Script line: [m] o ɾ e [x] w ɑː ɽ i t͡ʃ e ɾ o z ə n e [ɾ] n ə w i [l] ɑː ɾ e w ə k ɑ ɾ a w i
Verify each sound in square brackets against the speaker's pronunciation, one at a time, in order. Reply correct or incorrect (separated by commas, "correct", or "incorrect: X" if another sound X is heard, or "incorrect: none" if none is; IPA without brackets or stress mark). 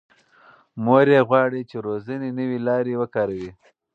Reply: correct, incorrect: ɣ, incorrect: none, correct